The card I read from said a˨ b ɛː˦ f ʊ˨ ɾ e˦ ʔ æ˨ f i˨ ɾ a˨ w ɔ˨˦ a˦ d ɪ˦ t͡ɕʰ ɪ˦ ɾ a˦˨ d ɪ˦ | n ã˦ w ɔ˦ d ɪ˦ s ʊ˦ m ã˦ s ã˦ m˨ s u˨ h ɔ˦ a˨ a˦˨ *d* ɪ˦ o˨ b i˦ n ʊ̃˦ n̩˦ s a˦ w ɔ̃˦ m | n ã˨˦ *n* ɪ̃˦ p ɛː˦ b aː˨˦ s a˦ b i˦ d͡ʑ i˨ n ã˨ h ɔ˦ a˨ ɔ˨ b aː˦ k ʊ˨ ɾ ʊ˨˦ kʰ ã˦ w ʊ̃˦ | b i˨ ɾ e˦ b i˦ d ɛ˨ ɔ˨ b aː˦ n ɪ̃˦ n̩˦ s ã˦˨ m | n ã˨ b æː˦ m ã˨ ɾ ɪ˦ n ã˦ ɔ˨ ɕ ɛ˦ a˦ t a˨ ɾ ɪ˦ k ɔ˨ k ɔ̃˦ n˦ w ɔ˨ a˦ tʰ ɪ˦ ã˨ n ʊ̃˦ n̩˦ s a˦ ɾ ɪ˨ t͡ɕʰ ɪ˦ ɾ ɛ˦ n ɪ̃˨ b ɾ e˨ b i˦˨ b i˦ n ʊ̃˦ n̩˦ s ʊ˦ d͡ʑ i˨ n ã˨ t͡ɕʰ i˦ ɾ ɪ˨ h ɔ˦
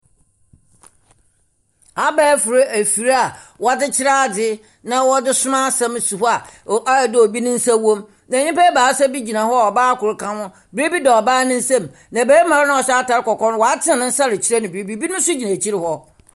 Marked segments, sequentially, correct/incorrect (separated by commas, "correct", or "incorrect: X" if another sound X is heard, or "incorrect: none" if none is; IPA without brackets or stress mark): correct, incorrect: ɲ